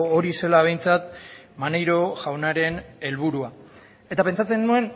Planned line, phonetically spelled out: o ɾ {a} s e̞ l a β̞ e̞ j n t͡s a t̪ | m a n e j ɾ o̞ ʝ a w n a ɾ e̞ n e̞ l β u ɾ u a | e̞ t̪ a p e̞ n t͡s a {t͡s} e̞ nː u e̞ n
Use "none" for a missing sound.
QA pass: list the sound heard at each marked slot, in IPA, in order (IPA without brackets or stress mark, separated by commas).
i, t͡s